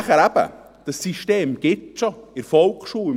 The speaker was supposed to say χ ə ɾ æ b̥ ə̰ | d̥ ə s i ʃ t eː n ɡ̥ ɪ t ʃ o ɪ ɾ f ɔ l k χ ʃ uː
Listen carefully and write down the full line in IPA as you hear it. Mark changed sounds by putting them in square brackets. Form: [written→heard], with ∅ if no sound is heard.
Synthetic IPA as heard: χ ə ɾ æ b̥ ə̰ | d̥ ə s i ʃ t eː [n→m] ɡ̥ ɪ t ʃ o ɪ ɾ f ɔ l k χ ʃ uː